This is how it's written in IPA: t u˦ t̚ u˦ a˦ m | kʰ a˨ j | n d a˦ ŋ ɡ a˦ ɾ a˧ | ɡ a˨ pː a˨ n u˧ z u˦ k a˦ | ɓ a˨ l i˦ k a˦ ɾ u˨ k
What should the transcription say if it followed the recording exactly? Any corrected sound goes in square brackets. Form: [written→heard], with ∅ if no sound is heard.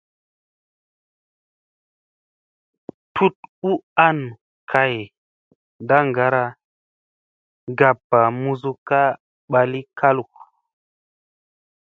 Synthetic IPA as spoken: t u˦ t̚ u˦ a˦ [m→n] | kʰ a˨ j | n d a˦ ŋ ɡ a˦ ɾ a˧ | ɡ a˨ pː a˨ [n→m] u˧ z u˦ k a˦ | ɓ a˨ l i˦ k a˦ [ɾ→l] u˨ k